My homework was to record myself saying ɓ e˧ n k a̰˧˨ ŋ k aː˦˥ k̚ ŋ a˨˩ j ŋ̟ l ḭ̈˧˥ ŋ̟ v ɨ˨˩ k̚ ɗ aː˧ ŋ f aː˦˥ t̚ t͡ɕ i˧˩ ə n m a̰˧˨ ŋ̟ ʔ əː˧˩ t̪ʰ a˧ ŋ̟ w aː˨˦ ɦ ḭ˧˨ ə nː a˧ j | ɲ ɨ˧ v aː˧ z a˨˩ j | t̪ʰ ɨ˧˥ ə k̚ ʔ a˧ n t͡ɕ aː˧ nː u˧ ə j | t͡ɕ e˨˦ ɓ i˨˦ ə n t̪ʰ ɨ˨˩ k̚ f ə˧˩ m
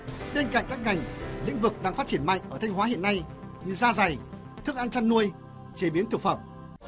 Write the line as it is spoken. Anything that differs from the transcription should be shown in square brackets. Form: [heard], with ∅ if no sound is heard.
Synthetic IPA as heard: ɓ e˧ n k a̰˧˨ ŋ k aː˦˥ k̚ ŋ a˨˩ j ŋ̟ l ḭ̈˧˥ ŋ̟ v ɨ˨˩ k̚ ɗ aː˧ ŋ f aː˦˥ t̚ t͡ɕ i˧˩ ə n m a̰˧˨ ŋ̟ ʔ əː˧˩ t̪ʰ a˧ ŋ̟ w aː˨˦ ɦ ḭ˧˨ ə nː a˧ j | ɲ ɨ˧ [z] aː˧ z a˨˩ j | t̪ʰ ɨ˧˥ ə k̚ ʔ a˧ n t͡ɕ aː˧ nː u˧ ə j | t͡ɕ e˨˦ ɓ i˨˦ ə n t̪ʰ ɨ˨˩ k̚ f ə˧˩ m